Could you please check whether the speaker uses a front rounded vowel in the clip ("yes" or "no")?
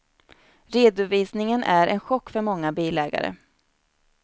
yes